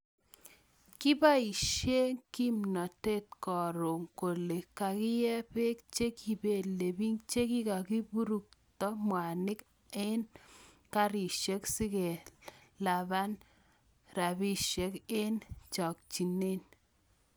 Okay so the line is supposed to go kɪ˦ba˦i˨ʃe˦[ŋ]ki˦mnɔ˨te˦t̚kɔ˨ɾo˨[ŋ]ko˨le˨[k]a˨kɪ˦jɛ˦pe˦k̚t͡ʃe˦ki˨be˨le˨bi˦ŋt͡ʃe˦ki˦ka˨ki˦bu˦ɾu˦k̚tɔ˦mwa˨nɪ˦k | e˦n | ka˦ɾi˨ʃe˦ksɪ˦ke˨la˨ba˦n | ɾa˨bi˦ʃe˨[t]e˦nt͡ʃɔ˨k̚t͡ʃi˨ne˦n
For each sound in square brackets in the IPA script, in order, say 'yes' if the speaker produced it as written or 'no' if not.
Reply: yes, yes, yes, no

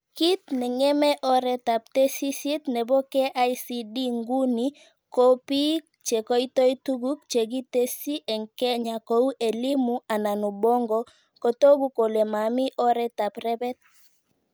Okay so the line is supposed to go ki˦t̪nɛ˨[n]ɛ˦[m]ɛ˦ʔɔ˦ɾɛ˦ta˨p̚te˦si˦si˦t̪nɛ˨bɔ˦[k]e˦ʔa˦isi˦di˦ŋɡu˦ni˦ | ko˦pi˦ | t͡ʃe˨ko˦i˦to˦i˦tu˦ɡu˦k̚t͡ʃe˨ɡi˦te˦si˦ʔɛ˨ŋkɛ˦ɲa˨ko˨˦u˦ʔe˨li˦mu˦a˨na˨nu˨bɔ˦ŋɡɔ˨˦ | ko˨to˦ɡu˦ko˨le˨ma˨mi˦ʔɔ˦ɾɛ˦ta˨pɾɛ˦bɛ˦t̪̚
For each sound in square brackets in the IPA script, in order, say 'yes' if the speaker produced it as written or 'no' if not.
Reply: no, yes, yes

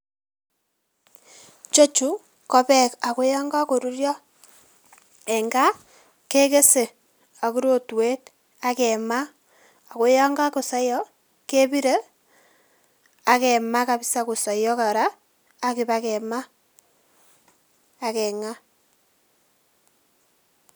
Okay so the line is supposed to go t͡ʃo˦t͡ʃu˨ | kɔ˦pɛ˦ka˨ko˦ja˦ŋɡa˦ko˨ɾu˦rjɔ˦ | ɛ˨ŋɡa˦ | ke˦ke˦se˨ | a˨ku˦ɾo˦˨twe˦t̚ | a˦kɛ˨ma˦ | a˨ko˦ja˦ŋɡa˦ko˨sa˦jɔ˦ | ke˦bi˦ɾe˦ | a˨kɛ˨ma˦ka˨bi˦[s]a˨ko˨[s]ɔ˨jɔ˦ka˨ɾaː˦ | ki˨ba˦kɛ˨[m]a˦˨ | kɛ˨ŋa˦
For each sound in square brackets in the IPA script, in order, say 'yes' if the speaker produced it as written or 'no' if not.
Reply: yes, yes, yes

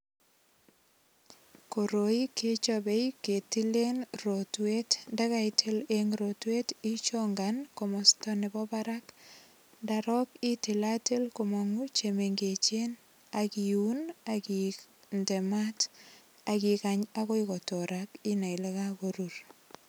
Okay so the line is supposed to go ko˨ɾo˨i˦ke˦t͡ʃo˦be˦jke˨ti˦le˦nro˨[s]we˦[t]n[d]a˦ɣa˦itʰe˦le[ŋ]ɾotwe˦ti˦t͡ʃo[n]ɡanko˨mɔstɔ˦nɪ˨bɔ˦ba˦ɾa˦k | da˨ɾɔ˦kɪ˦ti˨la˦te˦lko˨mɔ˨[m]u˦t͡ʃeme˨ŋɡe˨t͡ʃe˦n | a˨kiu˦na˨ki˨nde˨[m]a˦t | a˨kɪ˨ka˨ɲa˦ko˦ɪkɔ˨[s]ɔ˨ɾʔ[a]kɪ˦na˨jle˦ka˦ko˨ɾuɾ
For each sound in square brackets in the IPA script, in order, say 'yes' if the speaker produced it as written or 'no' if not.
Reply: no, yes, yes, yes, no, no, yes, no, yes

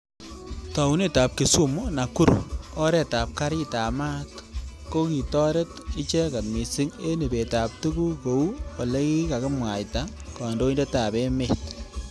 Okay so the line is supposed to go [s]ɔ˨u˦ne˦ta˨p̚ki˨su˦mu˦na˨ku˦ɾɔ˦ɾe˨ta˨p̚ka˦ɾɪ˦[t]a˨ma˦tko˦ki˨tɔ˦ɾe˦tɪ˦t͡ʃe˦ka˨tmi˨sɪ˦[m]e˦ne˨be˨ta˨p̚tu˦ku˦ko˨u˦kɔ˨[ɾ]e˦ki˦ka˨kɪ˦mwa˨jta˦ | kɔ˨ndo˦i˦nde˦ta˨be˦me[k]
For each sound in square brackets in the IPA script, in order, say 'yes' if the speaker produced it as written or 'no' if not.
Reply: no, yes, no, no, no

